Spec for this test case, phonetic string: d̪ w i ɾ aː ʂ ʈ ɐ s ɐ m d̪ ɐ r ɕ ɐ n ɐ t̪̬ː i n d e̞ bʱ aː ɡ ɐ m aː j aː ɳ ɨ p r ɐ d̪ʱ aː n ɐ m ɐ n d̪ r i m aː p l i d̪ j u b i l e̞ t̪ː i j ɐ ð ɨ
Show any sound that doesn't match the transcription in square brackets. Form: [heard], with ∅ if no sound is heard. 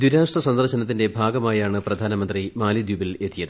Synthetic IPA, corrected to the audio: d̪ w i ɾ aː ʂ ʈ ɐ s ɐ [n] d̪ ɐ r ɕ ɐ n ɐ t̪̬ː i n d e̞ bʱ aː ɡ ɐ m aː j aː ɳ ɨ p r ɐ d̪ʱ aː n ɐ m ɐ n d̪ r i m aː [∅] l i d̪ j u b i l e̞ t̪ː i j ɐ ð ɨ